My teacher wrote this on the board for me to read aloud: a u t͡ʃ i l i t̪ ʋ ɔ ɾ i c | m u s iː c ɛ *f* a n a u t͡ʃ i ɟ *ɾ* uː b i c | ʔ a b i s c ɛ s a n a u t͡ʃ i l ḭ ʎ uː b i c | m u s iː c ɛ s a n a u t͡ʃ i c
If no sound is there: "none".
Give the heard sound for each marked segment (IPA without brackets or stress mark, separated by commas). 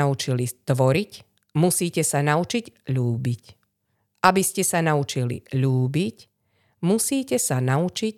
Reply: s, ʎ